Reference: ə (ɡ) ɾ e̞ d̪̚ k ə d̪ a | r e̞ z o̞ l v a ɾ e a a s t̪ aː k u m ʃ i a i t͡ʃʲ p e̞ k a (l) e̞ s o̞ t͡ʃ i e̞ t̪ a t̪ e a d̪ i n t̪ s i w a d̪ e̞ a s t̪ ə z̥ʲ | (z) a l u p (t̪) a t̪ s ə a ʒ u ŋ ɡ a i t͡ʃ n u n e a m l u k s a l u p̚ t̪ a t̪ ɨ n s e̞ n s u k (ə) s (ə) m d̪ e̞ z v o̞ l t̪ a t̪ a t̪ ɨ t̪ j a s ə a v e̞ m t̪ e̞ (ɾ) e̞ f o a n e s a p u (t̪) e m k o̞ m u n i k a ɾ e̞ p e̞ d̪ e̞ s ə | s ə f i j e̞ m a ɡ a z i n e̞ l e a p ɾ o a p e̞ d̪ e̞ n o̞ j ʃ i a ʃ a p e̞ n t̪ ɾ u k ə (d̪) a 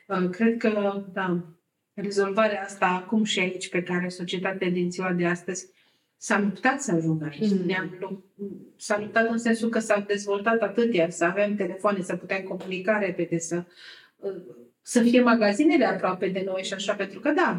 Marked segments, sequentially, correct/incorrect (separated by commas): incorrect, incorrect, incorrect, correct, correct, incorrect, incorrect, correct, correct